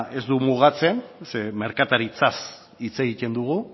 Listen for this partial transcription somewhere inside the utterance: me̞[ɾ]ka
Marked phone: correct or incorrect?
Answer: correct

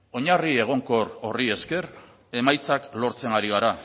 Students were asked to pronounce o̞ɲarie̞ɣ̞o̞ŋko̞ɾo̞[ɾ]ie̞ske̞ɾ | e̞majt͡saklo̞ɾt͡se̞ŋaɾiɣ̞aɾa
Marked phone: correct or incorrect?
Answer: incorrect: r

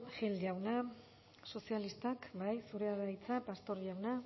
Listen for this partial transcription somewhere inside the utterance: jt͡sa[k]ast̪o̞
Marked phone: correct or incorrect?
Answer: incorrect: p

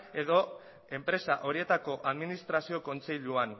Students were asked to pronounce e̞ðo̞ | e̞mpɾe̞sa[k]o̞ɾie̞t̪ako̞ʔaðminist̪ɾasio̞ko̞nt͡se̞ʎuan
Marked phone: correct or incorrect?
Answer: incorrect: ʔ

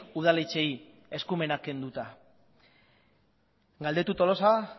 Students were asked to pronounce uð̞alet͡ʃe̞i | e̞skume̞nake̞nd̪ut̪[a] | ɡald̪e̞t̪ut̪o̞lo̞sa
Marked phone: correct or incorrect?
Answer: correct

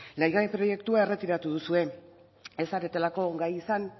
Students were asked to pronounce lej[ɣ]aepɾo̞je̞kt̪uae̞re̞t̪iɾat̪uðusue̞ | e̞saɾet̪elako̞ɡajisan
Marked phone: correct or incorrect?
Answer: correct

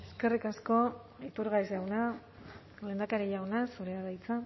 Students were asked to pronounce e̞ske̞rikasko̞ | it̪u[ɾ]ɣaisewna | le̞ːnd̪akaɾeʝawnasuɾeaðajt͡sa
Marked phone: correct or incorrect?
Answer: correct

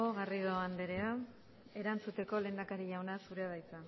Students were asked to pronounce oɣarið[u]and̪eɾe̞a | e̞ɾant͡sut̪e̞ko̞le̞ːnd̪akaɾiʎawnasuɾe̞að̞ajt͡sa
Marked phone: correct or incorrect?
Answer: incorrect: o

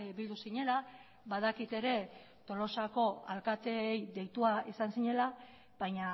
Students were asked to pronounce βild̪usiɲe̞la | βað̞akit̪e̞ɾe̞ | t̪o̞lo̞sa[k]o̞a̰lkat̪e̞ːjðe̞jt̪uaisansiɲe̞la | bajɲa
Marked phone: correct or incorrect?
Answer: correct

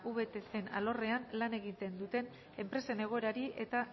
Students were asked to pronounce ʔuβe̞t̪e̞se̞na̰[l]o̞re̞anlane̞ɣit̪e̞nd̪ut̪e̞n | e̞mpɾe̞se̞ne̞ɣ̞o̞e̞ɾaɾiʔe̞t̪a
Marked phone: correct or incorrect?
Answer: correct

